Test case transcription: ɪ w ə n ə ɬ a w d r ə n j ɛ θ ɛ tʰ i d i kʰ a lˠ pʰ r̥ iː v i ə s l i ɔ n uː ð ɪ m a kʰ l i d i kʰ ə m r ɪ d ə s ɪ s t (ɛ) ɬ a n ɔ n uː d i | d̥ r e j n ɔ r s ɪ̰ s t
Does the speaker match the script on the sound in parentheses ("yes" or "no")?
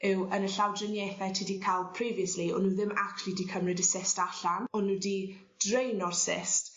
no